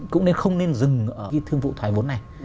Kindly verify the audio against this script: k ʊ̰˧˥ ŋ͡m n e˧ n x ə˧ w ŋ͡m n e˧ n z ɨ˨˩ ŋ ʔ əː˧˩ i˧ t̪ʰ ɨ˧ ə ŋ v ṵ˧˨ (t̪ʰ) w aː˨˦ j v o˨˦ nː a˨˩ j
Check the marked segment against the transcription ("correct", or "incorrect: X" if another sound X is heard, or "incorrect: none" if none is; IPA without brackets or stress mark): correct